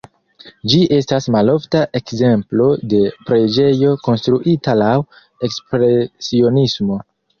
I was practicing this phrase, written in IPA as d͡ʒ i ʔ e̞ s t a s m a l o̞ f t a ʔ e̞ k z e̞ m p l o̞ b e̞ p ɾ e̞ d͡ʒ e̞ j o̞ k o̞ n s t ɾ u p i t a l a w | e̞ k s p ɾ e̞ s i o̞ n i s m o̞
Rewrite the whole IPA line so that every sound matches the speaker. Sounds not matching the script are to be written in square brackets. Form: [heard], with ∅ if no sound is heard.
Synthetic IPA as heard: d͡ʒ i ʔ e̞ s t a s m a l o̞ f t a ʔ e̞ k z e̞ m p l o̞ [d] e̞ p ɾ e̞ d͡ʒ e̞ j o̞ k o̞ n s t ɾ u [ʔ] i t a l a w | e̞ k s p ɾ e̞ s i o̞ n i s m o̞